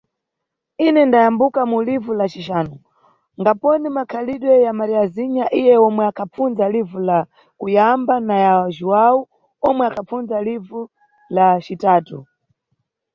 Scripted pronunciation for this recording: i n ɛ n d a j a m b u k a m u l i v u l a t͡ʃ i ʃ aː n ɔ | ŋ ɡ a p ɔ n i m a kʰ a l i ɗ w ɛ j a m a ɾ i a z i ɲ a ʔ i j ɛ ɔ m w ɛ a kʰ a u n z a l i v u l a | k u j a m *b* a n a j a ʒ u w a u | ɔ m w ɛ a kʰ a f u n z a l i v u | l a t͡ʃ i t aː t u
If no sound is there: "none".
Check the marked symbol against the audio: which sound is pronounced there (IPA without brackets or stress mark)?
b